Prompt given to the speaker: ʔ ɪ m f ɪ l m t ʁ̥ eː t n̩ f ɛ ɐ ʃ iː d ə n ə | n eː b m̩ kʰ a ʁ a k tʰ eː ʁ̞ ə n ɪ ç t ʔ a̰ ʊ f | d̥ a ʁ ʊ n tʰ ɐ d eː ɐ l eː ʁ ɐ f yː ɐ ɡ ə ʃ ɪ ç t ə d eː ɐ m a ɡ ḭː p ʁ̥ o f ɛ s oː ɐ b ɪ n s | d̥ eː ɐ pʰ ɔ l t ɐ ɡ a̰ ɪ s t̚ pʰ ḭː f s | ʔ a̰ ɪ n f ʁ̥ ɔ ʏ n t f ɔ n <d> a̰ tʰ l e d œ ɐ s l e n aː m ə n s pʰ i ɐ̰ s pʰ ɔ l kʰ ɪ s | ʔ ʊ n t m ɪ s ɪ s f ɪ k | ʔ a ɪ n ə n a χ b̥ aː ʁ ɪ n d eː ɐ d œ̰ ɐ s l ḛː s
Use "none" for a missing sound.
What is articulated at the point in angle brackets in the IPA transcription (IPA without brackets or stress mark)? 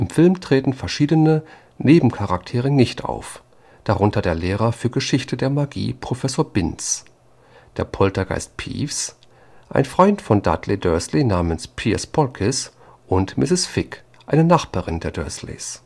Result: d